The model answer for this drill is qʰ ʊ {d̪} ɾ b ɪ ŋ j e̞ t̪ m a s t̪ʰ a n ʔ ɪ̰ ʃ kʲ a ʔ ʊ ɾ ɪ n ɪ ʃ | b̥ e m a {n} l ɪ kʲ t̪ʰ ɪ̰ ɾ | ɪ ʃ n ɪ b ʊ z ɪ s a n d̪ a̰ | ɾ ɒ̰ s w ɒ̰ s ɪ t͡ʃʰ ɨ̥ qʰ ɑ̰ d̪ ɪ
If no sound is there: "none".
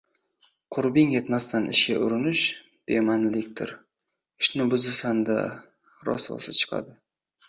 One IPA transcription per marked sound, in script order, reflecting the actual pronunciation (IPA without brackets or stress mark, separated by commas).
none, n